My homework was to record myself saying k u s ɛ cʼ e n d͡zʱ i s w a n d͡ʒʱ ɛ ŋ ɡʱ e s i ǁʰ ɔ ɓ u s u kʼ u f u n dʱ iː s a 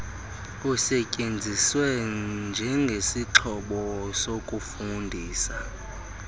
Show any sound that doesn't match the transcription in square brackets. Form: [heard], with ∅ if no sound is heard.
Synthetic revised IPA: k u s ɛ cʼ e n d͡zʱ i s w [ɛ] n d͡ʒʱ ɛ ŋ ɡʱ e s i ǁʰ ɔ ɓ [ɔ] s [o] kʼ u f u n dʱ iː s a